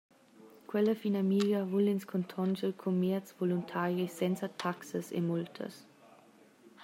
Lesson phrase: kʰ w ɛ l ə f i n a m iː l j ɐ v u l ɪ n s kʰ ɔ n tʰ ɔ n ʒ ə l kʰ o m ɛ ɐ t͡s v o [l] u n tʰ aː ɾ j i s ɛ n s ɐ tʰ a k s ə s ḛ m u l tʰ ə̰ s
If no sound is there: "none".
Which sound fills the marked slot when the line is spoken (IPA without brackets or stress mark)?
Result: l